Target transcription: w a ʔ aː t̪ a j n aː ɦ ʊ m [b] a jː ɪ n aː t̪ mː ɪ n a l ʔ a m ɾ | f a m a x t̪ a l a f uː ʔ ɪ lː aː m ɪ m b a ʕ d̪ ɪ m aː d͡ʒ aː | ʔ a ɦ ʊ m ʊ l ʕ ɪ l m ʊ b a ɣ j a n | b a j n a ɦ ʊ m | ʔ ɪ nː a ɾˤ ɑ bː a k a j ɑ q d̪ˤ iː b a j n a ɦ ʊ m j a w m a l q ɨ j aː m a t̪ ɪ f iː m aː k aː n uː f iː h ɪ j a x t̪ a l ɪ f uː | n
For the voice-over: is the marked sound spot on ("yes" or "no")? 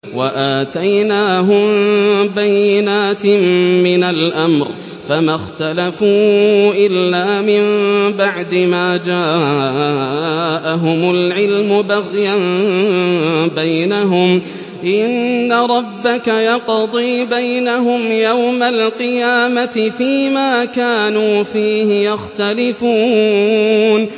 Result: yes